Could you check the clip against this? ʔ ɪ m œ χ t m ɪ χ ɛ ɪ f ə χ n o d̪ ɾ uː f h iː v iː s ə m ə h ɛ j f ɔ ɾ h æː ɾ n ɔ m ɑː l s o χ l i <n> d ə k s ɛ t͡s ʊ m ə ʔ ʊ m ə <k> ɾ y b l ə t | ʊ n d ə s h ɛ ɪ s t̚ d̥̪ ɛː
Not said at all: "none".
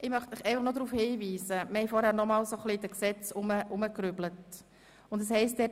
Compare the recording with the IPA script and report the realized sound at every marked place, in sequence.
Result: none, k

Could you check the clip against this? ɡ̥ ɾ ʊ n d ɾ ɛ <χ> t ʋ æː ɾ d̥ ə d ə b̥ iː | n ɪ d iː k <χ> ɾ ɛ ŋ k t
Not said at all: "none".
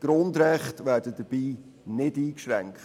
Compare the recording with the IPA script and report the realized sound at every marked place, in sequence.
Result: χ, ʃ

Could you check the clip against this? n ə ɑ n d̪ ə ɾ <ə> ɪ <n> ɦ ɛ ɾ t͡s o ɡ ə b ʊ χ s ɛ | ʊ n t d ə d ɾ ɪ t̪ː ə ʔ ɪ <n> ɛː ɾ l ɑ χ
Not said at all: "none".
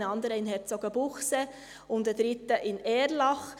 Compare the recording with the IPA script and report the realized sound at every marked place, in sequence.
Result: ə, n, n

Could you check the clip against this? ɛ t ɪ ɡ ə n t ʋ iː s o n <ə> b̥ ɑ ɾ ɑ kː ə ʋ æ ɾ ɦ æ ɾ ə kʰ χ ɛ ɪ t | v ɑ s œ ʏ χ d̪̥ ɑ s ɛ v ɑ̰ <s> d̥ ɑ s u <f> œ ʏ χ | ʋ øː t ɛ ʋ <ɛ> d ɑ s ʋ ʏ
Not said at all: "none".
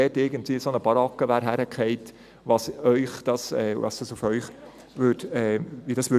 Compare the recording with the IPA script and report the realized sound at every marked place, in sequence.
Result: ə, s, f, i

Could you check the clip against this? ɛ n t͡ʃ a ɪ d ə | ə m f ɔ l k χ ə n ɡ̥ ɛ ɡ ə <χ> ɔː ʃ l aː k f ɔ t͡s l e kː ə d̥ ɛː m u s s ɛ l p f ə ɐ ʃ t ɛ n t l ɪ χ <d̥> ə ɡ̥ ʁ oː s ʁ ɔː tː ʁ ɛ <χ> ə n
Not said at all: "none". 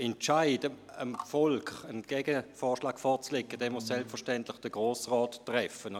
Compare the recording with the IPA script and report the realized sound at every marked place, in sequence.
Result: f, d̥, f

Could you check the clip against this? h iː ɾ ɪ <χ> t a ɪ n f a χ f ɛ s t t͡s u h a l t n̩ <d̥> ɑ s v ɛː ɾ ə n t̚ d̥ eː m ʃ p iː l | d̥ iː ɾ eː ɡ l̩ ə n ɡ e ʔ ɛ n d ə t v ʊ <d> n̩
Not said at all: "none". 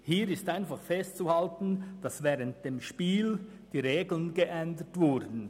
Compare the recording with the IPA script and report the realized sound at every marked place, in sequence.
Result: s, d̥, d

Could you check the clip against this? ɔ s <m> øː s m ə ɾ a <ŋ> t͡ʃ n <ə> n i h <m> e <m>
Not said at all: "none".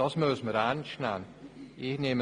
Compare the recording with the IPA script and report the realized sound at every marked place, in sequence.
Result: m, n, a, n, m

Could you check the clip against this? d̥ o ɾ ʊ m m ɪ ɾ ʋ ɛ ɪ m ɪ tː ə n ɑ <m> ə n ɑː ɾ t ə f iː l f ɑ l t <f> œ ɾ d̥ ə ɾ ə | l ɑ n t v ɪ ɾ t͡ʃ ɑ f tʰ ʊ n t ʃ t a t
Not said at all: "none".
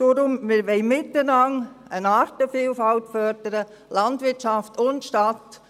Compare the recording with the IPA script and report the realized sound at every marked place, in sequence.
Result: ŋ, f

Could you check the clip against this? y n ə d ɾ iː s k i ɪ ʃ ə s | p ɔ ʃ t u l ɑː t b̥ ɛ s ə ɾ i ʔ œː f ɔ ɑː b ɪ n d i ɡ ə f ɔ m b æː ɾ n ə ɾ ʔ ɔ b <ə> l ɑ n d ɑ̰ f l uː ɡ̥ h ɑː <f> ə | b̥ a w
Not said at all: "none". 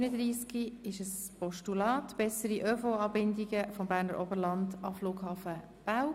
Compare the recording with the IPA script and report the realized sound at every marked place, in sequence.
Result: ə, f

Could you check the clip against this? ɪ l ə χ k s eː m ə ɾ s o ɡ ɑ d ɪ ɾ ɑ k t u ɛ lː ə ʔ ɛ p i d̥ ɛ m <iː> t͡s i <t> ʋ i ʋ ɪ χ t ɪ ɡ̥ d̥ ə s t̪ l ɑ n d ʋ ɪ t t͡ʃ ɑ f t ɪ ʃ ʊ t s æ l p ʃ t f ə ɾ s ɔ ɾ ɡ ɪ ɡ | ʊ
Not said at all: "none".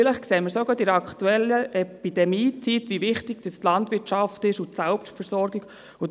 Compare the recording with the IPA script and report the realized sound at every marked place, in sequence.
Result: iː, t

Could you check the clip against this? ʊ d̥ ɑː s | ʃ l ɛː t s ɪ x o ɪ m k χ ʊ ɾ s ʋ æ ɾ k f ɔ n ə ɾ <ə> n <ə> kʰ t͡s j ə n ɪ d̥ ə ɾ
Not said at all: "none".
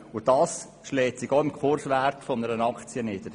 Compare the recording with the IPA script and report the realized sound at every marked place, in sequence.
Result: ə, ɑ

